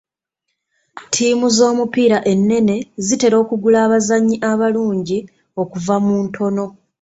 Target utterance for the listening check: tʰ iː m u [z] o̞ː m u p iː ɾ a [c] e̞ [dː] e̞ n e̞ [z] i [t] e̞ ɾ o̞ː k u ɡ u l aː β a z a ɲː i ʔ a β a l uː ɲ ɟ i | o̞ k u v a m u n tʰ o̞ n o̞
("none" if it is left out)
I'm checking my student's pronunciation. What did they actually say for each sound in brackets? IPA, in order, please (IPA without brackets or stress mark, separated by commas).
z, ʔ, nː, z, t